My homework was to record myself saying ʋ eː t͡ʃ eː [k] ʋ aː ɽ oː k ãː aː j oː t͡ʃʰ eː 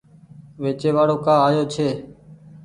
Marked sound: incorrect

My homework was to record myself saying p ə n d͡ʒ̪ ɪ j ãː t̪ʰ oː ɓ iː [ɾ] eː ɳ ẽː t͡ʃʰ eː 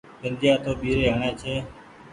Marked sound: correct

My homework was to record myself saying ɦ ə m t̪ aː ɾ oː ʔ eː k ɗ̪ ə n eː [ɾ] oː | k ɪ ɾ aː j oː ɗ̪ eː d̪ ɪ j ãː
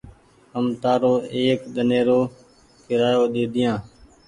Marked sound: correct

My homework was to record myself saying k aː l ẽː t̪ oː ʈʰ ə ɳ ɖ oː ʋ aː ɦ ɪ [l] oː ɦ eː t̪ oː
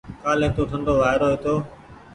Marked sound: incorrect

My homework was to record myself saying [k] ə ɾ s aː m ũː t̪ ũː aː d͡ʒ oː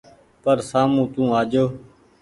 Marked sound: incorrect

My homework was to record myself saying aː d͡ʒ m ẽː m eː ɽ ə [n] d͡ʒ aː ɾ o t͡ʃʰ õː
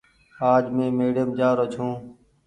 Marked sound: incorrect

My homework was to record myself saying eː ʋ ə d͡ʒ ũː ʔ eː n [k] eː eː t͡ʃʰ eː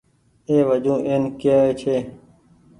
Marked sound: correct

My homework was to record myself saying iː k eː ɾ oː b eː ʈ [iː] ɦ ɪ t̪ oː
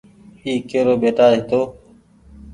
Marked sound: incorrect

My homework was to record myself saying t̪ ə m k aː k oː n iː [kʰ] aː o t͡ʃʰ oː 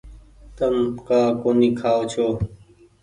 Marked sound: correct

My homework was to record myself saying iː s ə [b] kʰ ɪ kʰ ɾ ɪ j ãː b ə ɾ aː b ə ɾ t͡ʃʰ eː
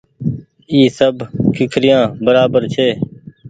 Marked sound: correct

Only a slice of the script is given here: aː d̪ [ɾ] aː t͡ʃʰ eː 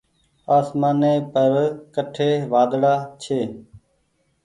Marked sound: incorrect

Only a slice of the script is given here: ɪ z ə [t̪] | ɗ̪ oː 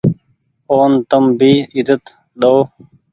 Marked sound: correct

